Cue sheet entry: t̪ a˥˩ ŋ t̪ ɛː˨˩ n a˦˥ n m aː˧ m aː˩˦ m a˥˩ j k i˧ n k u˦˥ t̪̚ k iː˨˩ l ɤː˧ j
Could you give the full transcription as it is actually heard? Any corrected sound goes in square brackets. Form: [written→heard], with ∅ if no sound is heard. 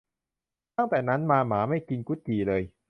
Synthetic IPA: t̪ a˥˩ ŋ t̪ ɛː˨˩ n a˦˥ n m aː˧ m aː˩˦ m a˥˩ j k i˧ n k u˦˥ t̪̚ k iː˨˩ l ɤː˧ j

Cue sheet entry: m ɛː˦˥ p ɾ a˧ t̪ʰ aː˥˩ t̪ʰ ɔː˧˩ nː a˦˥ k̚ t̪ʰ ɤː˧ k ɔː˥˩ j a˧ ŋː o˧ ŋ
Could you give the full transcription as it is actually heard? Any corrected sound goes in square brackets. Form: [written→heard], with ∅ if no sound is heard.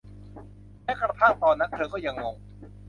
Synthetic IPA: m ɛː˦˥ [p→k] ɾ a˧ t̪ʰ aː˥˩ [t̪ʰ→t̪] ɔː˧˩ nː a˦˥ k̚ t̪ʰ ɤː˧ k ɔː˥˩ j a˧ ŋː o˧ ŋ

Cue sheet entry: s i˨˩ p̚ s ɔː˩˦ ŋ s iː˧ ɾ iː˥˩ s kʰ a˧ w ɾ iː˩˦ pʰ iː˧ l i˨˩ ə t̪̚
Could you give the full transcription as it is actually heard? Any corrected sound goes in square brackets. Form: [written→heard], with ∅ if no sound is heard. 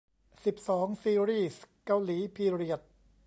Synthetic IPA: s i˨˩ p̚ s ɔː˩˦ ŋ s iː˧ ɾ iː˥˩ s [kʰ→k] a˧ w [ɾ→l] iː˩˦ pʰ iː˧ [l→ɾ] i˨˩ ə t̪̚

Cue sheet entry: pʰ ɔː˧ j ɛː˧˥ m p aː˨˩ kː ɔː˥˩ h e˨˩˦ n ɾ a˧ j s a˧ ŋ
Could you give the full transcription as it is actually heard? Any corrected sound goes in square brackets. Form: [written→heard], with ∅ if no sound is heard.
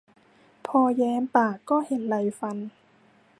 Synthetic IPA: pʰ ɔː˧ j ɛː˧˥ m p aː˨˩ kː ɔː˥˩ h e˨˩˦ n [ɾ→l] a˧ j [s→f] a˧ [ŋ→n]

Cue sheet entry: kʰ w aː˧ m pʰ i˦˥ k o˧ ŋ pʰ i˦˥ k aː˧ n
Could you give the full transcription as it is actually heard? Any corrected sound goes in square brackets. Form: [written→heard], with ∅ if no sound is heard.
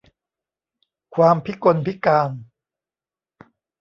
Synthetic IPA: kʰ w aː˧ m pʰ i˦˥ k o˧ [ŋ→n] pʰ i˦˥ k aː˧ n

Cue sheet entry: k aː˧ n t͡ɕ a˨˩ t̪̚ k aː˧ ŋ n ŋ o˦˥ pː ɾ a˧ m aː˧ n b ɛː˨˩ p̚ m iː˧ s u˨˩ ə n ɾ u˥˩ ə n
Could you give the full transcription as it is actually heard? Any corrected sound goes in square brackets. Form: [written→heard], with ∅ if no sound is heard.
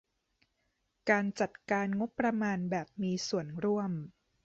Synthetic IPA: k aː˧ n t͡ɕ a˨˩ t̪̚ k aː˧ [ŋ→∅] n ŋ o˦˥ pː ɾ a˧ m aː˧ n b ɛː˨˩ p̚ m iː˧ s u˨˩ ə n ɾ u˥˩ ə [n→m]

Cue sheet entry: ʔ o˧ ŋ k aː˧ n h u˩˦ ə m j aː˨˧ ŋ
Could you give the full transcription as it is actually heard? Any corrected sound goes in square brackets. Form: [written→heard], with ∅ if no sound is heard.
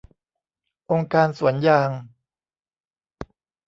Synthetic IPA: ʔ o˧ ŋ k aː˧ n [h→s] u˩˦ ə [m→n] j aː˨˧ ŋ

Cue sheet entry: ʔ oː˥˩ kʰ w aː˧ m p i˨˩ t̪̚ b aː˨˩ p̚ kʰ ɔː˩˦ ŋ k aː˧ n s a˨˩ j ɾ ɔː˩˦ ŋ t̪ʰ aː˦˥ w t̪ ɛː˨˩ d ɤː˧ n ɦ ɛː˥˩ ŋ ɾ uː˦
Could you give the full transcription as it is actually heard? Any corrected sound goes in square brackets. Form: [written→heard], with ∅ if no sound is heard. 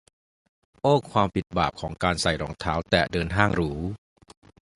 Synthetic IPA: ʔ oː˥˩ kʰ w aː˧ m p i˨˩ t̪̚ b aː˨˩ p̚ kʰ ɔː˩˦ ŋ k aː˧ n s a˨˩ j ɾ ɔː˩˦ ŋ t̪ʰ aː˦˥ w t̪ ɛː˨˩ d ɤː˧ n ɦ [ɛː˥˩→aː˥˩] ŋ ɾ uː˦

